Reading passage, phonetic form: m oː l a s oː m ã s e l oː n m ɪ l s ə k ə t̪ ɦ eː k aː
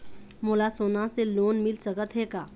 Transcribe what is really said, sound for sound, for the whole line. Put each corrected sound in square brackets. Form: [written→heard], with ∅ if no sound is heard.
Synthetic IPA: m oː l a s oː [m→n] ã s e l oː n m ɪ l s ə k ə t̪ ɦ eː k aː